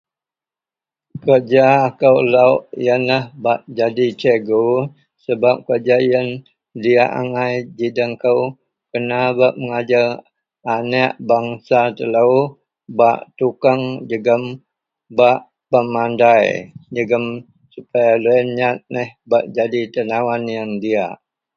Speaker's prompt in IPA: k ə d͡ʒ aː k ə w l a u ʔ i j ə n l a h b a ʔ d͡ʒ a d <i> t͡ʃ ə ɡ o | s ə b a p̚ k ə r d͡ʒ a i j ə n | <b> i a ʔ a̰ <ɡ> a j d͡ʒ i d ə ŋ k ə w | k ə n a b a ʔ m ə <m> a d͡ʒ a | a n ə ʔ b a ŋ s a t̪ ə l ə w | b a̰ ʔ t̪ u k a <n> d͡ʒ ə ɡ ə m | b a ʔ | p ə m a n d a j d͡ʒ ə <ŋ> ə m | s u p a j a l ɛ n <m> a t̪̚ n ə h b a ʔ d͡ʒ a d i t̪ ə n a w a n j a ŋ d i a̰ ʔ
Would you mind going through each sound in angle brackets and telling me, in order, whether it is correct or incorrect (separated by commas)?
correct, incorrect, incorrect, incorrect, incorrect, incorrect, incorrect